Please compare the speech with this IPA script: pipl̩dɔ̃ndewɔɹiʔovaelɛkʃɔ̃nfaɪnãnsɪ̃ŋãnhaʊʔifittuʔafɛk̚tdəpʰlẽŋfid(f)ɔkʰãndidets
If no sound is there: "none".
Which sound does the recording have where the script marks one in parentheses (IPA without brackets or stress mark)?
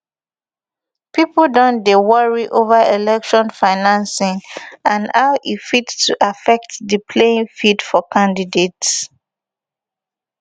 f